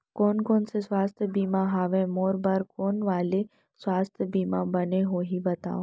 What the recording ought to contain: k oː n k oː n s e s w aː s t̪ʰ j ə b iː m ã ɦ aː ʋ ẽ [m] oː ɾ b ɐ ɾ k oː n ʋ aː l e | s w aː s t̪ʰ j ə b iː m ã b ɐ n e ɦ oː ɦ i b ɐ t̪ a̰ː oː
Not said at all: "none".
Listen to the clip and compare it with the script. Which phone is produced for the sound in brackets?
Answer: m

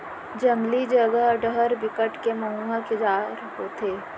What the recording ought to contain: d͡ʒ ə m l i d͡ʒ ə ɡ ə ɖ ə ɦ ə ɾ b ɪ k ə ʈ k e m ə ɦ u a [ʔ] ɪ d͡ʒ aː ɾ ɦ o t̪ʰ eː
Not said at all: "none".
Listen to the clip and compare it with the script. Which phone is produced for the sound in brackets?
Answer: k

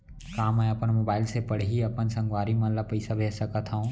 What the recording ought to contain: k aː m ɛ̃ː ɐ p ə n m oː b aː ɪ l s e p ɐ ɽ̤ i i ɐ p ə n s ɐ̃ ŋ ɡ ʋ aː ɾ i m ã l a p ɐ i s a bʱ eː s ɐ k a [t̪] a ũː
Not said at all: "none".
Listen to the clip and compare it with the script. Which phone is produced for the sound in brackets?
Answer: t̪ʰ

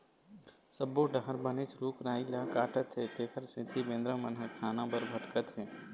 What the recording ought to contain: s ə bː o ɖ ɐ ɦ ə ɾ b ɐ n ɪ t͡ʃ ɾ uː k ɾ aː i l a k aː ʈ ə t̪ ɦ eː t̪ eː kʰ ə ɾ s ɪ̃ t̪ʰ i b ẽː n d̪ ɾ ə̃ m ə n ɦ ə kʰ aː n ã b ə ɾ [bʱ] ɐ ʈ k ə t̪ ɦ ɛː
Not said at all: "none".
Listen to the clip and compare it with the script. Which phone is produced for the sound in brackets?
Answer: bʱ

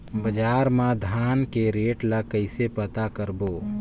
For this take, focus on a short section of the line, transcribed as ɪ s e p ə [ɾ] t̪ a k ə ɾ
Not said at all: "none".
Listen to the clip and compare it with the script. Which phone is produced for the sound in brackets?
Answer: none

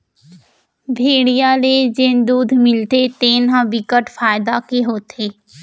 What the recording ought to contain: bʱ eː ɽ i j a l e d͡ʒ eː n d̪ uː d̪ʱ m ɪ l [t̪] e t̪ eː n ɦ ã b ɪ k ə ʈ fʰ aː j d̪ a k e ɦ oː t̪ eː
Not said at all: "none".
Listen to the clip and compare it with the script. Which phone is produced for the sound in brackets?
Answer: t̪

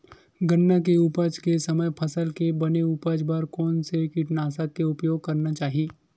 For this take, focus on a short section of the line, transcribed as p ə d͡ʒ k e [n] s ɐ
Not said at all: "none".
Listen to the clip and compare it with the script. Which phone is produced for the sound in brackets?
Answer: none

